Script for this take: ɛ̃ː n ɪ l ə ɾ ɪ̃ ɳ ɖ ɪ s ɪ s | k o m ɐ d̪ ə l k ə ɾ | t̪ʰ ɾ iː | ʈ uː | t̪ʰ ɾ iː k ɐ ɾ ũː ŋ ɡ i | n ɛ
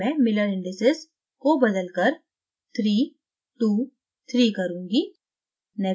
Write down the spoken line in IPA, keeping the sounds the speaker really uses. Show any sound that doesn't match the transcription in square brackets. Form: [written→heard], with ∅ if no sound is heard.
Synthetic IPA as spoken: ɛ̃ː [n→m] ɪ l ə ɾ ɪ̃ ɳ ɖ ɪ s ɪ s | k o [m→b] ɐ d̪ ə l k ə ɾ | t̪ʰ ɾ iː | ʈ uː | t̪ʰ ɾ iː k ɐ ɾ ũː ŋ ɡ i | n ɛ